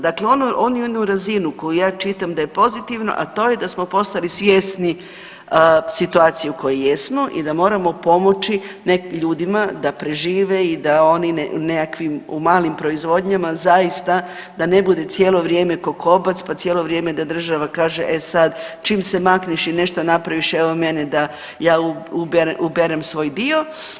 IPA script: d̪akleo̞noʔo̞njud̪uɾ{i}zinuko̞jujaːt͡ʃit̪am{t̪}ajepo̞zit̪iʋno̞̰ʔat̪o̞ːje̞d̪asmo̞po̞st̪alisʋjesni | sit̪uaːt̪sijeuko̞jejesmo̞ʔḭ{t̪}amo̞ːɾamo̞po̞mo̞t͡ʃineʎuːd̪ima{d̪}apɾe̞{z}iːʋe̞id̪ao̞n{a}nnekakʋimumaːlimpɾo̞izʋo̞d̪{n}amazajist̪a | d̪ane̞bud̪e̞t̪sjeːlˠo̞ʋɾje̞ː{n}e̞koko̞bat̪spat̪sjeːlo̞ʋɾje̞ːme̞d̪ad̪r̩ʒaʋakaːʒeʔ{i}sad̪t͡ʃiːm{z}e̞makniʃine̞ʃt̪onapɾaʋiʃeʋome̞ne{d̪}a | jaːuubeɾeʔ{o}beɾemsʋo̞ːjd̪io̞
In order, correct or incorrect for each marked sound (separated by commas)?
incorrect, incorrect, incorrect, correct, incorrect, incorrect, incorrect, incorrect, incorrect, incorrect, correct, incorrect